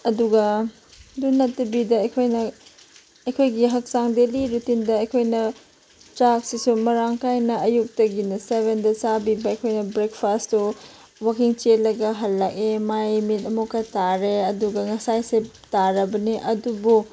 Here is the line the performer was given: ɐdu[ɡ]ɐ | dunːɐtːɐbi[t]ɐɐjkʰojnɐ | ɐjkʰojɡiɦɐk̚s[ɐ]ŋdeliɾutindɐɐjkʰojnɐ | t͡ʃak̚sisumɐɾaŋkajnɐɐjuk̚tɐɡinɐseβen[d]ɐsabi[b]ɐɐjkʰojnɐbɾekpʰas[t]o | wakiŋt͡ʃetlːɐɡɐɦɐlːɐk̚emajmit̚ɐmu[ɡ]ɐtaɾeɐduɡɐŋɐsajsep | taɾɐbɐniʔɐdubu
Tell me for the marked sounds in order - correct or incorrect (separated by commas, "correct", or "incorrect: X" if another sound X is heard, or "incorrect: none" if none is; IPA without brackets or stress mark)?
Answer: correct, incorrect: d, incorrect: a, correct, correct, correct, incorrect: k